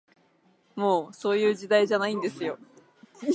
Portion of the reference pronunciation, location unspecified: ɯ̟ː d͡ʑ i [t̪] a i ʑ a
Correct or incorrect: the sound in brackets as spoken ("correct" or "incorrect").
incorrect